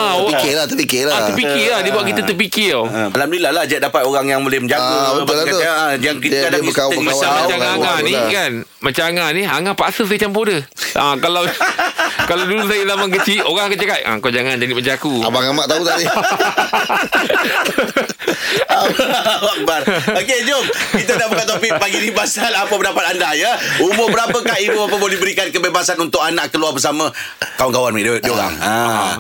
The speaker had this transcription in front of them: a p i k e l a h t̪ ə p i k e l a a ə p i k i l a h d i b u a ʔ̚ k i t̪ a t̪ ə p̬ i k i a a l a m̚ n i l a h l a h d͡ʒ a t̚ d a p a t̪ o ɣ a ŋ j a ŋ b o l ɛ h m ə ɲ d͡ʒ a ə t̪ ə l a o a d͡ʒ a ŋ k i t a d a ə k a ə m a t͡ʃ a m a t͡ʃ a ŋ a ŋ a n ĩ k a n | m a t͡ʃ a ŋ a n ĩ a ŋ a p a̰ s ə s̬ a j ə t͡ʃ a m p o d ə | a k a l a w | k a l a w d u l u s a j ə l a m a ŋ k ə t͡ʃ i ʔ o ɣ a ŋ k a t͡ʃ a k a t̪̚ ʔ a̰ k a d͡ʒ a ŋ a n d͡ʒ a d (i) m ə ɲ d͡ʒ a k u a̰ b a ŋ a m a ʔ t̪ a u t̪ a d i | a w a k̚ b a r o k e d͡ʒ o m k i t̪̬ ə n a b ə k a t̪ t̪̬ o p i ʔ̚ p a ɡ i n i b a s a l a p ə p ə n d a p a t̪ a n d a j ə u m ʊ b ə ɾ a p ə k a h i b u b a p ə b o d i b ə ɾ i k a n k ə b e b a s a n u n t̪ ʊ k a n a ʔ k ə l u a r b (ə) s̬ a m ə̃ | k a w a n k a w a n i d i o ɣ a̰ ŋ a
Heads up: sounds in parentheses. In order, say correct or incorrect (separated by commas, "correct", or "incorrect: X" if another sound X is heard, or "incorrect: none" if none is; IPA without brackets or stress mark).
correct, correct